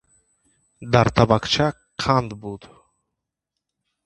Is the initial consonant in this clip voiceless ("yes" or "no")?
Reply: no